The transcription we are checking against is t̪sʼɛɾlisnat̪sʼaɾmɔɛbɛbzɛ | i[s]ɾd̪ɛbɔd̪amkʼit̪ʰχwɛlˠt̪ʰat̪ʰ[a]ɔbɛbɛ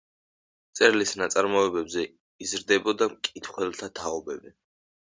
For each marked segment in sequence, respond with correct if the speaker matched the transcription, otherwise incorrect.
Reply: incorrect, correct

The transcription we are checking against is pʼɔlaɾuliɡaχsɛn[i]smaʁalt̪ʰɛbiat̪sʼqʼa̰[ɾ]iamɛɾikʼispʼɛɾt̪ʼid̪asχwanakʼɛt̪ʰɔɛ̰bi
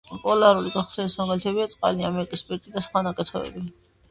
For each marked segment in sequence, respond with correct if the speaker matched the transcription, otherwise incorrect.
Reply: correct, incorrect

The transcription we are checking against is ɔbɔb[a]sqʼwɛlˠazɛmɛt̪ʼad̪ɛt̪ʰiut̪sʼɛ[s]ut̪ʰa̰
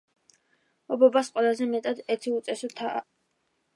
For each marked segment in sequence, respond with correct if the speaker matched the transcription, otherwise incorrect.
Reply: correct, correct

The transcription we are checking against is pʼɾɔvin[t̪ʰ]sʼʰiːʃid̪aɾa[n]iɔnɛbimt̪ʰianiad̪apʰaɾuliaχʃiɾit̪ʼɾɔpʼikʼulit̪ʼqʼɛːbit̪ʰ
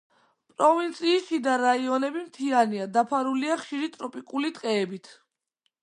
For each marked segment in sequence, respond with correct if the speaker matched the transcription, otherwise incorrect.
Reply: incorrect, incorrect

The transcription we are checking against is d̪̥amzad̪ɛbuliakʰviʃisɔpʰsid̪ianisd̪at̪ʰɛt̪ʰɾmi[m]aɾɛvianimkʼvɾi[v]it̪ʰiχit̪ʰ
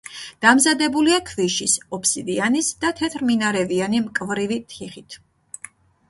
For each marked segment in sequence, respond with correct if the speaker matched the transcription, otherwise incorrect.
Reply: incorrect, correct

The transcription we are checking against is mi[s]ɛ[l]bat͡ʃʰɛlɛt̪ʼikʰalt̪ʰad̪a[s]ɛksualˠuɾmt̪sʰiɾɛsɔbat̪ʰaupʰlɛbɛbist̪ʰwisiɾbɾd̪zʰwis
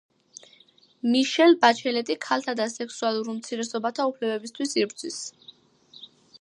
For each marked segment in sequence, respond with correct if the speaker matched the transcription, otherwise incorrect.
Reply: incorrect, correct, correct

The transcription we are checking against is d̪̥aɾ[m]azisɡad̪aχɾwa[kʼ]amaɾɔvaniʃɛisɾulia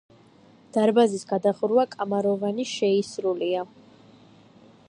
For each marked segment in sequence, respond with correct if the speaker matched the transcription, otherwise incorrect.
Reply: incorrect, correct

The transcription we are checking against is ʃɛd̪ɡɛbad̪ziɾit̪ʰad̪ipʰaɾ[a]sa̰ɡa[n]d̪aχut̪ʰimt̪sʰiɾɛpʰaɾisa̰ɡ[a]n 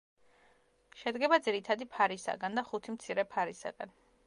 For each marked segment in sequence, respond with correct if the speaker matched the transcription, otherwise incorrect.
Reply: incorrect, correct, correct

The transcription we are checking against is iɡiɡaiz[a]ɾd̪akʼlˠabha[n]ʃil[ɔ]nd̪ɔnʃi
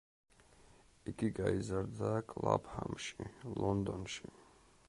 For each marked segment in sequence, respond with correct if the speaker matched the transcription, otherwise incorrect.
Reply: correct, incorrect, correct

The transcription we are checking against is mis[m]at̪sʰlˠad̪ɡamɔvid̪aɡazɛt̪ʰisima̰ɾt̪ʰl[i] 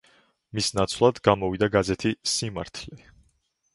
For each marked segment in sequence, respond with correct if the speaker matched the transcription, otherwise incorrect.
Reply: incorrect, incorrect

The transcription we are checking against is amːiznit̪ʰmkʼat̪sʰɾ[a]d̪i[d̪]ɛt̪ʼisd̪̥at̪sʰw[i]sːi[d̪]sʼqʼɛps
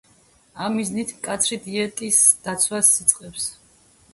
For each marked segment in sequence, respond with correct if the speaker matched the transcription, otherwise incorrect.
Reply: incorrect, incorrect, incorrect, incorrect

